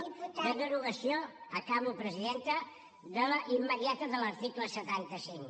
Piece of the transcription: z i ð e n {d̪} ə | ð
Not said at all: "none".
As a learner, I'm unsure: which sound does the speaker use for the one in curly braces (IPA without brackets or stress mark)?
t̪